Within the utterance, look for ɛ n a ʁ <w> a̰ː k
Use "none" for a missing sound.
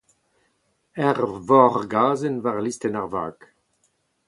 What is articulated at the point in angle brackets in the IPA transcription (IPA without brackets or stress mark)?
v